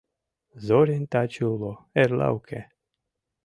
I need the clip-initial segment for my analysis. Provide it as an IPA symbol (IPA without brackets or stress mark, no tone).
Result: z